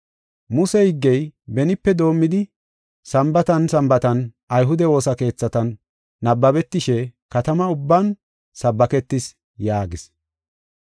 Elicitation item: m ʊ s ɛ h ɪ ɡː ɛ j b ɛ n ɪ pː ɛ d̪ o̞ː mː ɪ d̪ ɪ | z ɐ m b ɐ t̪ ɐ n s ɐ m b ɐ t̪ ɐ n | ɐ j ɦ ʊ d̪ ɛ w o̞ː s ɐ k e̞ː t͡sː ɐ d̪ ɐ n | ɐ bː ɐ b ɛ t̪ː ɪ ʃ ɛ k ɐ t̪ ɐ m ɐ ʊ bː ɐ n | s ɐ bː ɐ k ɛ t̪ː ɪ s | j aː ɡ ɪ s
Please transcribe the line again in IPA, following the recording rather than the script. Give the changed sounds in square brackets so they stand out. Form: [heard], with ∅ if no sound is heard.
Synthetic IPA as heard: m ʊ s ɛ h ɪ ɡː ɛ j b ɛ n ɪ pː ɛ d̪ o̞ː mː ɪ d̪ ɪ | [s] ɐ m b ɐ t̪ ɐ n s ɐ m b ɐ t̪ ɐ n | ɐ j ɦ ʊ d̪ ɛ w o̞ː s ɐ k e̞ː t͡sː ɐ [t̪] ɐ [nː] | ɐ bː ɐ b ɛ t̪ː ɪ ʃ ɛ k ɐ t̪ ɐ m ɐ ʊ bː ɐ n | s ɐ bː ɐ k ɛ t̪ː ɪ s | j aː ɡ ɪ s